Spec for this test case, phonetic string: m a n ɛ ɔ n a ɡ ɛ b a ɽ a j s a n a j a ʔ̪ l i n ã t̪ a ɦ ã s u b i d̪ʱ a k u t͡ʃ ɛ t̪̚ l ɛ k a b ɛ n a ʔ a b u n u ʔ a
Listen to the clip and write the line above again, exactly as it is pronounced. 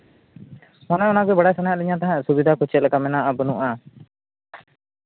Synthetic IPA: m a n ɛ ɔ n a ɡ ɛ b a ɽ a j s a n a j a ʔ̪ l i ɲ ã t̪ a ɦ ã s u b i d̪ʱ a k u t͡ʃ ɛ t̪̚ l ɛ k a m ɛ n a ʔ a b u n u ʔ a

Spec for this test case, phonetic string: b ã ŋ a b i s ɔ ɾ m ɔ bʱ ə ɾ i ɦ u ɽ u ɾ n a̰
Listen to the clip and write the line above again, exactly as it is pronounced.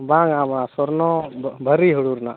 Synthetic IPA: b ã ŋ a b a s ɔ ɾ n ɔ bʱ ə ɾ i ɦ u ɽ u ɾ n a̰

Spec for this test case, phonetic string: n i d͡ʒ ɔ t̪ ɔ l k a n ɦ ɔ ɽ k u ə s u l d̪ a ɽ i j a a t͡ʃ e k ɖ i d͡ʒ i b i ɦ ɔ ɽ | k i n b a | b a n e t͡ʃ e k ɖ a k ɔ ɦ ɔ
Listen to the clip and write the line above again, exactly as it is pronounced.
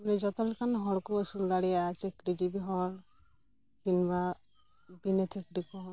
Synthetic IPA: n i d͡ʒ ɔ t̪ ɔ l k a n ɦ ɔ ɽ k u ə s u l d̪ a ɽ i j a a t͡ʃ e k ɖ i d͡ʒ i b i ɦ ɔ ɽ | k i n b a | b i n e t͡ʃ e k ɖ i k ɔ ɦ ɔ

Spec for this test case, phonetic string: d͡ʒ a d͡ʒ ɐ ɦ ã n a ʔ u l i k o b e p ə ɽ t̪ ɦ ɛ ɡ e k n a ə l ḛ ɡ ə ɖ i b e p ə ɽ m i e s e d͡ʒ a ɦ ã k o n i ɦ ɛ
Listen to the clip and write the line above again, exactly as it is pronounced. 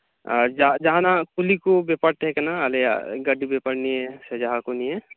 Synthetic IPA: d͡ʒ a d͡ʒ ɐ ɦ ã n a k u l i k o b e p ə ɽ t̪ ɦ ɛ k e n a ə l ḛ ɡ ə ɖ i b e p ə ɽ n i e s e d͡ʒ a ɦ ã k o n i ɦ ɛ

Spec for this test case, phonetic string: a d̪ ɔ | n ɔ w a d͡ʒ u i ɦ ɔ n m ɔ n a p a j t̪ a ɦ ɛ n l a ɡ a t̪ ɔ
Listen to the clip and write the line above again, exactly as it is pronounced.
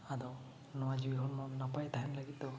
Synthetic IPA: a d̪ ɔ | n ɔ w a d͡ʒ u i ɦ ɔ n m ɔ n a p a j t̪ a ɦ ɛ n l a ɡ i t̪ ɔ

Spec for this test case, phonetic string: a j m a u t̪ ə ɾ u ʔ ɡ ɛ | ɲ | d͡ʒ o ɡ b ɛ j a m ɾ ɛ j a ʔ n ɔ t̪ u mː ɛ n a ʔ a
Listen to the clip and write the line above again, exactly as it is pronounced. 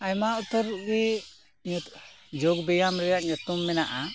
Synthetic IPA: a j m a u t̪ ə ɾ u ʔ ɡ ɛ | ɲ | d͡ʒ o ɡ b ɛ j a m ɾ ɛ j a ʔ ɲ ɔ t̪ u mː ɛ n a ʔ a

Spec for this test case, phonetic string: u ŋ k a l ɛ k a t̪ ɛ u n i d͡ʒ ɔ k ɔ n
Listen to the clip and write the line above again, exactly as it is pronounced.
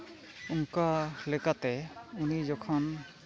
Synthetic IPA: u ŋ k a l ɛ k a t̪ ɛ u n i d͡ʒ ɔ kʰ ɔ n

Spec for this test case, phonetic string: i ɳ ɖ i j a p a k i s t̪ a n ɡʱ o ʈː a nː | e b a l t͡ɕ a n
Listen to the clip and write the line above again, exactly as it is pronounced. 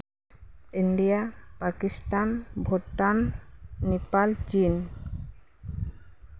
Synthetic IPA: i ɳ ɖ i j a p a k i s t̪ a n bʱ o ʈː a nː | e p a l t͡ɕ i n

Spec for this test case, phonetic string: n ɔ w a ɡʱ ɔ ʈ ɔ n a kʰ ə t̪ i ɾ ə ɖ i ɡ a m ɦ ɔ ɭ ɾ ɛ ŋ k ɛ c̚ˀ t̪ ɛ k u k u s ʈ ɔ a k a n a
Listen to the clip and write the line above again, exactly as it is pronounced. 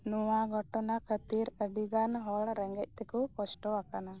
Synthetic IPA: n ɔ w a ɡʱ ɔ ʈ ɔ n a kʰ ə t̪ i ɾ ə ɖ i ɡ a n ɦ ɔ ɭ ɾ ɛ ŋ ɡ ɛ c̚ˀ t̪ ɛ k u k ɔ s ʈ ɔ a k a n a

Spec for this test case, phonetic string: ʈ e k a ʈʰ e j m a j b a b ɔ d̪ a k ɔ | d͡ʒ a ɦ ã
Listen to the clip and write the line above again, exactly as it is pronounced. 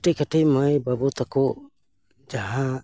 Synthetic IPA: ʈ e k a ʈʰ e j m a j b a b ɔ t̪ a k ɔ | d͡ʒ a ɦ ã

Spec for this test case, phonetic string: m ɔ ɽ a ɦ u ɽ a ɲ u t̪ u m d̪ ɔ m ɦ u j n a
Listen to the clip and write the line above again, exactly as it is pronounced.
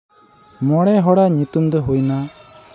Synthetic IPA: m ɔ ɽ ɛ ɦ ɔ ɽ a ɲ u t̪ u m d̪ ɔ ɦ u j n a

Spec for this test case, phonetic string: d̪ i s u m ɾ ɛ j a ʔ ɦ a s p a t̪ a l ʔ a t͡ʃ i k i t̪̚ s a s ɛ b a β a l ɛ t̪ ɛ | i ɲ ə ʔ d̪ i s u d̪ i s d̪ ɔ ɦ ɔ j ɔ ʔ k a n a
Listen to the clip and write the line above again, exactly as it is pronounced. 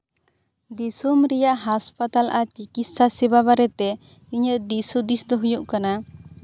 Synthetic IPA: d̪ i s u m ɾ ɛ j a ʔ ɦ a s p a t̪ a l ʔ a t͡ʃ i k i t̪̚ s a s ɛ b a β a ɾ ɛ t̪ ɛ | i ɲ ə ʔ d̪ i s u d̪ i s d̪ ɔ ɦ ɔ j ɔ ʔ k a n a

